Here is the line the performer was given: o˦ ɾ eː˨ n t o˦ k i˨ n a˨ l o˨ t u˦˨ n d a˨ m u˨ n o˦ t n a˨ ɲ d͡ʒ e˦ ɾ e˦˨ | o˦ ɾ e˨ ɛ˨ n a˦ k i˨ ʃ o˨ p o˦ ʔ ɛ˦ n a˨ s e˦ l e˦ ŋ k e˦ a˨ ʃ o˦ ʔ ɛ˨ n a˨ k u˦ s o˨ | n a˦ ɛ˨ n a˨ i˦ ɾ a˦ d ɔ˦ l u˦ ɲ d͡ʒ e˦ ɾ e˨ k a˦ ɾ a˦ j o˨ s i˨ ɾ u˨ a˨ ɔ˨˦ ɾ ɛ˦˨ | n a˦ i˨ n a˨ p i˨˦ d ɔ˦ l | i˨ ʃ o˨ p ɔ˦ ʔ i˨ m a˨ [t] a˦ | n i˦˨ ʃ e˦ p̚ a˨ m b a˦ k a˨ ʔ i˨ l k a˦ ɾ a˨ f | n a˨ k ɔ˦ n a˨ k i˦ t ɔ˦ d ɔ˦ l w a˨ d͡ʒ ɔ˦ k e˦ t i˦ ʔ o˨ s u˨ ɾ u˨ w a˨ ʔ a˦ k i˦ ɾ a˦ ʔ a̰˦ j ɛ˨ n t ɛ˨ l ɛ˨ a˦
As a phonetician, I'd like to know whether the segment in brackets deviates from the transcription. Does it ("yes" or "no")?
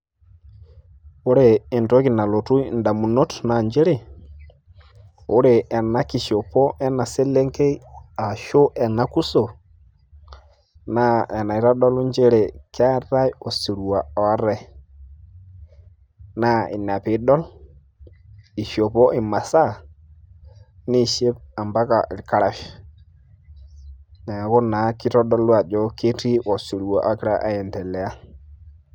yes